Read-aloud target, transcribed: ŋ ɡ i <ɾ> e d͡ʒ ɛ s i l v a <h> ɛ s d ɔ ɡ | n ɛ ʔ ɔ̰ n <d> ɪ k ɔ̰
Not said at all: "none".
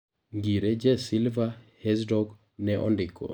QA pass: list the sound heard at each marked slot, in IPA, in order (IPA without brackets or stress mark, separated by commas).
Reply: ɾ, h, d